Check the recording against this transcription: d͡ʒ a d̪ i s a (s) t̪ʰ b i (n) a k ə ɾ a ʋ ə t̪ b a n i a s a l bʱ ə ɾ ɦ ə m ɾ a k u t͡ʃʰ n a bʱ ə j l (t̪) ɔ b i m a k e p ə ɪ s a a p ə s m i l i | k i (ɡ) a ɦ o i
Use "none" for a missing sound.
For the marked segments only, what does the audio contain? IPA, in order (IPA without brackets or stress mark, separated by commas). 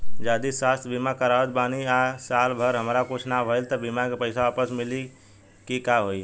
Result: s, m, t̪, k